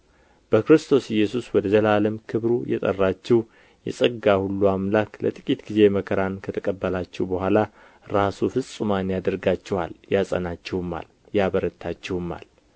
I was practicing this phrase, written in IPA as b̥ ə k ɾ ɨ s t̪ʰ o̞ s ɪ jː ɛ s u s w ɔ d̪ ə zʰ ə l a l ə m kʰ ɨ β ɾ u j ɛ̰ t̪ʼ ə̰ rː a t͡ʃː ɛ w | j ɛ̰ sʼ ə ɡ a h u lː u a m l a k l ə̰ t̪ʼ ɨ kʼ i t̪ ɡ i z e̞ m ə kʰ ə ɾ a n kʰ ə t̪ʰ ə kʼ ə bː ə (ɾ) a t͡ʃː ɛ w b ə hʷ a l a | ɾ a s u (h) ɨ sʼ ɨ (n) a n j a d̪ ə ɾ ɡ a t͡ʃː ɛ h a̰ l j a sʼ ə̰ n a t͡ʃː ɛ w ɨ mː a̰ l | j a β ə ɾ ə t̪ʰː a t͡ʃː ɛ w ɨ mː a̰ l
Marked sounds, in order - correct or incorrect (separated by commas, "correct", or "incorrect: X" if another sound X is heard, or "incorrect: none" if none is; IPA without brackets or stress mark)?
incorrect: l, incorrect: f, incorrect: m